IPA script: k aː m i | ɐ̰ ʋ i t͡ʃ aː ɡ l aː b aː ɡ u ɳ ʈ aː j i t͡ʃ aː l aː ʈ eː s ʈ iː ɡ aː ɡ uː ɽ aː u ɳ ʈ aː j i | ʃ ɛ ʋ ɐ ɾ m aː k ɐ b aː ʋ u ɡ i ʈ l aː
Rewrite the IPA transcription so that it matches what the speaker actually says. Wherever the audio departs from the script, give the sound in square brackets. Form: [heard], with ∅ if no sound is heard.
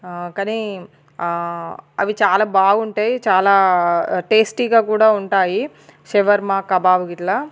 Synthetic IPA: k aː [n] i | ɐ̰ ʋ i t͡ʃ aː [∅] l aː b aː ɡ u ɳ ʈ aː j i t͡ʃ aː l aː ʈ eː s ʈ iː ɡ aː [k] uː ɽ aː u ɳ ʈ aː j i | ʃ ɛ ʋ ɐ ɾ m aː k ɐ b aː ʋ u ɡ i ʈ l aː